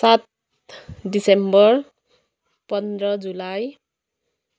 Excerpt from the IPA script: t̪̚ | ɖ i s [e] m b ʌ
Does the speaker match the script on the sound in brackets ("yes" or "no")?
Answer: yes